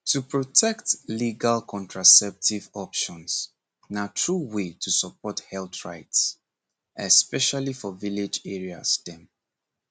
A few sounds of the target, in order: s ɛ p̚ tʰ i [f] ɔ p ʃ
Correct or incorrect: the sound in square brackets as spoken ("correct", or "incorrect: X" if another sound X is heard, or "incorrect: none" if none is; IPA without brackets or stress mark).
incorrect: v